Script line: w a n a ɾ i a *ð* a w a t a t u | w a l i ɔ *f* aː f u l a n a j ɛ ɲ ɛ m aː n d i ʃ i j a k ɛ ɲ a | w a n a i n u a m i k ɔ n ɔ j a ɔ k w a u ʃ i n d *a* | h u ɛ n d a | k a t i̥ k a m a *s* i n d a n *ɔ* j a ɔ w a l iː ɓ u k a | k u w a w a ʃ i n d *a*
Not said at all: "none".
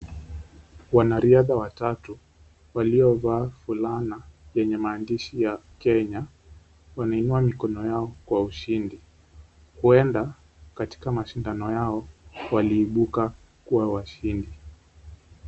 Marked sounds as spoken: ð, v, i, ʃ, ɔ, i

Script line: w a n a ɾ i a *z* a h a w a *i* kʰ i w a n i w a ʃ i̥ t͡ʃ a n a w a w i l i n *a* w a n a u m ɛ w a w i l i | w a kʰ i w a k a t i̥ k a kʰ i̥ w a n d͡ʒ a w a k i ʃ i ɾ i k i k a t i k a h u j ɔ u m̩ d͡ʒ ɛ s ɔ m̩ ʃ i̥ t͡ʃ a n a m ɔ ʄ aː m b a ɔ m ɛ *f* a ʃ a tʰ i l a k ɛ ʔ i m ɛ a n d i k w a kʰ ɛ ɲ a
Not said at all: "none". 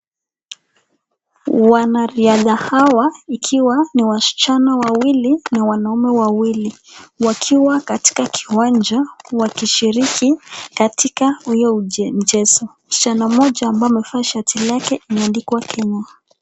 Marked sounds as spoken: ð, i, a, f

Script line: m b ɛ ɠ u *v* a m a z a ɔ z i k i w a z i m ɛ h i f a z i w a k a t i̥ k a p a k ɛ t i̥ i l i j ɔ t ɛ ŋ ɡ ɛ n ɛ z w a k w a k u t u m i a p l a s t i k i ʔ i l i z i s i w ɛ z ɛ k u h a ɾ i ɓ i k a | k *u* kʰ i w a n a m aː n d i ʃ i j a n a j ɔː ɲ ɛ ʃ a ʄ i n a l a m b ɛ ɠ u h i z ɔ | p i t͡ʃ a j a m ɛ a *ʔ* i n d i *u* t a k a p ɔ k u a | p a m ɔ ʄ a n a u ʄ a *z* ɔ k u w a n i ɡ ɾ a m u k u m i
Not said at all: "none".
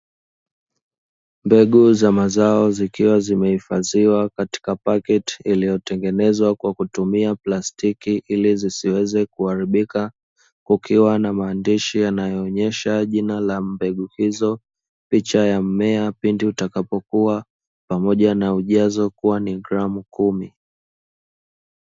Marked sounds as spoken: z, u, p, u, z

